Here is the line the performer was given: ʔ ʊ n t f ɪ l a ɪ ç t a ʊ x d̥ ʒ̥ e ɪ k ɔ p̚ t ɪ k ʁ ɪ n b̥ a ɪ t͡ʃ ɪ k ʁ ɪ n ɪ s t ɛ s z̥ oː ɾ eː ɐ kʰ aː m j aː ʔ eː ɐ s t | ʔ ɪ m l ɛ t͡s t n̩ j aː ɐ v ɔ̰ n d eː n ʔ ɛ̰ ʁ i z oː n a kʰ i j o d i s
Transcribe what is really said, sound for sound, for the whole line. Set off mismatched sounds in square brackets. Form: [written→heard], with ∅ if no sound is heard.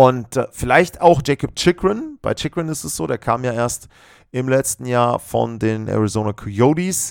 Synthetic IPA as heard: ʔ ʊ n t f ɪ l a ɪ ç t a ʊ x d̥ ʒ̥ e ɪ k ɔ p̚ [t→t͡ʃ] ɪ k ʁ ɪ n b̥ a ɪ t͡ʃ ɪ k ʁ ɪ n ɪ s t ɛ s z̥ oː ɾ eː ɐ kʰ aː m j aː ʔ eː ɐ s t | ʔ ɪ m l ɛ t͡s t n̩ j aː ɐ [v→f] ɔ̰ n d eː n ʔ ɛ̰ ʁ i z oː n a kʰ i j o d i s